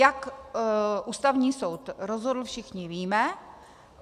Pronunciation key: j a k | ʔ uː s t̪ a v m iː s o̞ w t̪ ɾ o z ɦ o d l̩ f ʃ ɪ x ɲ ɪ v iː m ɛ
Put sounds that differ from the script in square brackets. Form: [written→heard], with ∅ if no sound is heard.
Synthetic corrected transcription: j a k | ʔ uː s t̪ a v [m→ɲ] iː s o̞ w t̪ ɾ o z ɦ o d l̩ f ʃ ɪ x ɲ ɪ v iː m ɛ